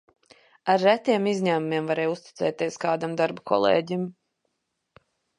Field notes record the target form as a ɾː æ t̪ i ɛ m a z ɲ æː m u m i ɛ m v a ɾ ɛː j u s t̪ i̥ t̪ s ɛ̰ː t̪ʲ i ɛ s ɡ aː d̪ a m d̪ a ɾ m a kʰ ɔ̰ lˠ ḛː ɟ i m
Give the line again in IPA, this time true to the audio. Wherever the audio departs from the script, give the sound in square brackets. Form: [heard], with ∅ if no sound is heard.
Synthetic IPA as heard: a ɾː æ t̪ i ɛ m [i] z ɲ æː m u m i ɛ m v a ɾ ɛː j u s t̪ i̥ t̪ s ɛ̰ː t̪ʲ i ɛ s [k] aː d̪ a m d̪ a ɾ [b] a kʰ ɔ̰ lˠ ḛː ɟ i m